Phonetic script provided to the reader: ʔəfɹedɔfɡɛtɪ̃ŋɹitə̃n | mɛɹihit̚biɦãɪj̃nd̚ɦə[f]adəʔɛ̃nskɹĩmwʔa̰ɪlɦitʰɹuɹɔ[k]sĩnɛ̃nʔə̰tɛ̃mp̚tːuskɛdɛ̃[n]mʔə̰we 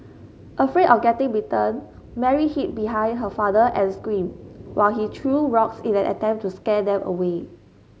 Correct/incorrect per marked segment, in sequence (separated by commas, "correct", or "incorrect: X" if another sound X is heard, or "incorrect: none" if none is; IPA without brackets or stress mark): correct, correct, incorrect: none